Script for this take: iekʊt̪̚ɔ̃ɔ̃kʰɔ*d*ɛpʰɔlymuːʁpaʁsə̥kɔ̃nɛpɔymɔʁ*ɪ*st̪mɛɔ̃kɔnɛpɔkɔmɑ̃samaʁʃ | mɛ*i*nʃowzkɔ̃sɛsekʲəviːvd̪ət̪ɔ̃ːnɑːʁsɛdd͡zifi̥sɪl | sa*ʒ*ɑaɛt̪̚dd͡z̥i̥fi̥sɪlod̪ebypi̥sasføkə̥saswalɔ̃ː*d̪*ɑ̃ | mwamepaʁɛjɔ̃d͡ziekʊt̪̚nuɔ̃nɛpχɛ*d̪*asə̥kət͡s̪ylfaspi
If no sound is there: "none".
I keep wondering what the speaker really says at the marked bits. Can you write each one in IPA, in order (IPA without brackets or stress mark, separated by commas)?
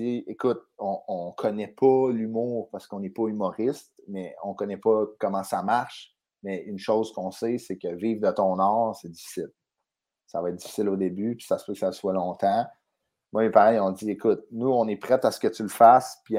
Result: n, ɪ, y, v, t̪, t̪